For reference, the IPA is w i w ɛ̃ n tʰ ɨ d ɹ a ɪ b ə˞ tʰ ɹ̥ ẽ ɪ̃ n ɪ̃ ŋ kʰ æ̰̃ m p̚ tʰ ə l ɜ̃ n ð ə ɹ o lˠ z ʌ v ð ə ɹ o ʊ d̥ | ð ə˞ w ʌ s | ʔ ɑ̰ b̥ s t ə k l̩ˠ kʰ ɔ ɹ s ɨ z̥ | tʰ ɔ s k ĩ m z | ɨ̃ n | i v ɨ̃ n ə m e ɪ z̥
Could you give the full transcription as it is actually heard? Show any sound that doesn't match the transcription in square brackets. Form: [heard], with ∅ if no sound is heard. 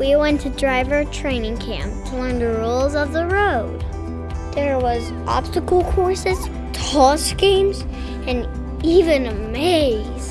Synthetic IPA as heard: w i w ɛ̃ n tʰ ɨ d ɹ a ɪ [v] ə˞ tʰ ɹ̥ ẽ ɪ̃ n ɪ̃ ŋ kʰ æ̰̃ m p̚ tʰ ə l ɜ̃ n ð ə ɹ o lˠ z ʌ v ð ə ɹ o ʊ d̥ | ð ə˞ w ʌ [z] | ʔ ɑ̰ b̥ s t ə k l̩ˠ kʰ ɔ ɹ s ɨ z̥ | tʰ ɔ s k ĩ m z | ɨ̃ n | i v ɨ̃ n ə m e ɪ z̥